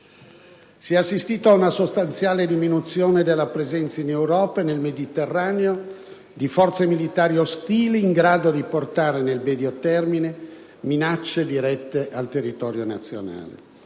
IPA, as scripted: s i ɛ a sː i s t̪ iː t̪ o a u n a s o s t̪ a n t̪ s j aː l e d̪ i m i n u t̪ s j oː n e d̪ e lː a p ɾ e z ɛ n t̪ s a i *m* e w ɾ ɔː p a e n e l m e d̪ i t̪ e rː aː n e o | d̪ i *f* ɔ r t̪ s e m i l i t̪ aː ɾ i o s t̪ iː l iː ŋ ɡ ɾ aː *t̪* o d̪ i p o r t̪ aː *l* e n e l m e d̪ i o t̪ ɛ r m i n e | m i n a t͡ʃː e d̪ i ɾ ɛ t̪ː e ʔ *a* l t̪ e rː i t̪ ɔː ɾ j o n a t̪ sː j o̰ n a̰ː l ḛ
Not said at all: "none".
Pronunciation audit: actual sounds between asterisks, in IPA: n, f, d̪, ɾ, a

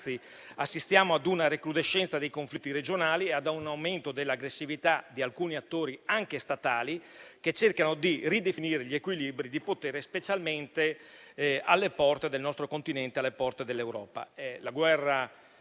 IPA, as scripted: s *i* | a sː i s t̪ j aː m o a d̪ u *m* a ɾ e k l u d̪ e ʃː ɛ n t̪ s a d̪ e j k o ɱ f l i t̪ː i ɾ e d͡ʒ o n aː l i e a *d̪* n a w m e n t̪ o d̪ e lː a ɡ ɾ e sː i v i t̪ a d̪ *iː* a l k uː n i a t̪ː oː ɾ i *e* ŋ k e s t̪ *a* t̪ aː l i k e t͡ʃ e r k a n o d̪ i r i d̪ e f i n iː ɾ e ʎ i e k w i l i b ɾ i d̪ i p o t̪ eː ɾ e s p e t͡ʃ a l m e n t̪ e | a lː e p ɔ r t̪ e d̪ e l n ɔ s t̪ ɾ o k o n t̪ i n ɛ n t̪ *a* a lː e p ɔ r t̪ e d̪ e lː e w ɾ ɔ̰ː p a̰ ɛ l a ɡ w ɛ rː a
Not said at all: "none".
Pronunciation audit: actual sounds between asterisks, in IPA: i, n, d̪, i, a, a, e

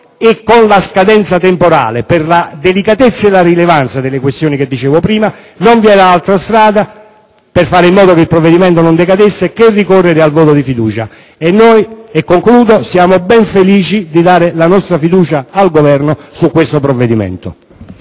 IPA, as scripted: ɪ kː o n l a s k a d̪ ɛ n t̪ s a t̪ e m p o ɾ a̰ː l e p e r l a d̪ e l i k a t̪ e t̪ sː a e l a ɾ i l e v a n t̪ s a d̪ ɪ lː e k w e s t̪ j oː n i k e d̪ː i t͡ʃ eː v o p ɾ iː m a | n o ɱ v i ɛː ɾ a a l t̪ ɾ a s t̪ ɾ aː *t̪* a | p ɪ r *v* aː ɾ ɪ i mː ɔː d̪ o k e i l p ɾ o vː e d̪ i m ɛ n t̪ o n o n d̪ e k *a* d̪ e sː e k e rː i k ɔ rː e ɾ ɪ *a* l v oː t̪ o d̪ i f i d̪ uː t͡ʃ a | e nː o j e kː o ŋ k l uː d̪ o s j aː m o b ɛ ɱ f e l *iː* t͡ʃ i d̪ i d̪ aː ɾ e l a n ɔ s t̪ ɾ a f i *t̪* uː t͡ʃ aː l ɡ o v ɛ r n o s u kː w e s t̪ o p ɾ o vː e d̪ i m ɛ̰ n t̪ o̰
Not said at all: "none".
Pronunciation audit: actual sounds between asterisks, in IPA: d̪, f, a, a, iː, d̪

